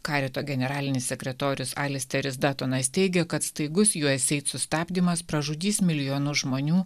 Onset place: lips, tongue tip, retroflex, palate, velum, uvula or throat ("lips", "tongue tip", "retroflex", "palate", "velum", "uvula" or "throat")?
velum